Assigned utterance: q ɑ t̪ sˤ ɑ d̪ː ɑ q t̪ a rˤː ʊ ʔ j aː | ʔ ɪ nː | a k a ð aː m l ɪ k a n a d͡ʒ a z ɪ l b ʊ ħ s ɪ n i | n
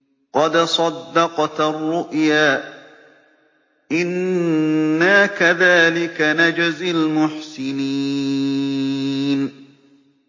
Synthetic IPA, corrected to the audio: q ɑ d̪ sˤ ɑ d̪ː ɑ q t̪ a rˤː ʊ ʔ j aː | ʔ ɪ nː | a k a ð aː l ɪ k a n a d͡ʒ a z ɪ l m ʊ ħ s ɪ n i | n